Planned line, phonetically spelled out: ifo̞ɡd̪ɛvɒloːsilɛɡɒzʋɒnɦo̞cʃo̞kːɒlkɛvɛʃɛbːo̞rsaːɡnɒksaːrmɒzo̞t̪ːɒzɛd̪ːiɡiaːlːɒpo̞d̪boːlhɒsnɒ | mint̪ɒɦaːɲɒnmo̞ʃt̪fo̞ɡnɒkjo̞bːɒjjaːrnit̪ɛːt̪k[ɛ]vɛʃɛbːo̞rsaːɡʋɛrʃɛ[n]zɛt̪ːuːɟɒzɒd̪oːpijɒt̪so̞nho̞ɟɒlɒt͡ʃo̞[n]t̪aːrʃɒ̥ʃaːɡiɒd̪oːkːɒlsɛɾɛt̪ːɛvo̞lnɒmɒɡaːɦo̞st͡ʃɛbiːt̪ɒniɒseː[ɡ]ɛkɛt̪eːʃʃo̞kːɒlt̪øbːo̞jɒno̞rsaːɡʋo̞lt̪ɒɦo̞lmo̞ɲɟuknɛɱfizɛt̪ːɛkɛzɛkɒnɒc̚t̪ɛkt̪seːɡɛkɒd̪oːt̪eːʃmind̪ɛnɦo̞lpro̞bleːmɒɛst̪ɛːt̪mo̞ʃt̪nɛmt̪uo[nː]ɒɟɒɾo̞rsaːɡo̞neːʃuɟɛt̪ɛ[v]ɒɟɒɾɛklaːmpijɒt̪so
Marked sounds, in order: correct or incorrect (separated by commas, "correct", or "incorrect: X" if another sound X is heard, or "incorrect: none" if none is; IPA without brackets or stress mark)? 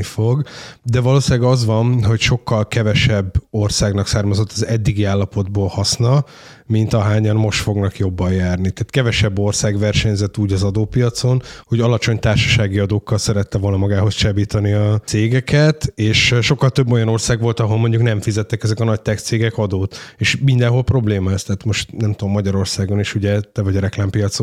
correct, incorrect: ɲ, incorrect: ɲ, correct, incorrect: mː, correct